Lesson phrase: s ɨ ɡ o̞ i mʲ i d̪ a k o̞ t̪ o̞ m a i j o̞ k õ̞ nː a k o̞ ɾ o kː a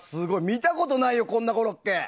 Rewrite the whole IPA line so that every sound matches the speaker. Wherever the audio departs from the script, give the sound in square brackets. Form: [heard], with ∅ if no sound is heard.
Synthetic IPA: s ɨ ɡ o̞ i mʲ i [t̪] a k o̞ t̪ o̞ [n] a i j o̞ k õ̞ nː a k o̞ ɾ o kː [e]